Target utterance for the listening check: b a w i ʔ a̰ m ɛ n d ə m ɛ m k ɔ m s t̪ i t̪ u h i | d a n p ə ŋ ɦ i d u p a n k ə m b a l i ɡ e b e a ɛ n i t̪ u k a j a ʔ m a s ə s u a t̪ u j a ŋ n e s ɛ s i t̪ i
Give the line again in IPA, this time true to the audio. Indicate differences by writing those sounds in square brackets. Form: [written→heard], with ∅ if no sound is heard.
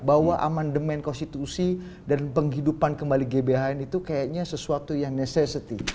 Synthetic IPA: b a w [i→a] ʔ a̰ m [ɛ→a] n d ə m ɛ [m→n] k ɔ [m→n] s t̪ i t̪ u [h→s] i | d a n p ə ŋ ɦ i d u p a n k ə m b a l i ɡ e b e a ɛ n i t̪ u k a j a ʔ [m→ɲ] a s ə s u a t̪ u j a ŋ n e s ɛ s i t̪ i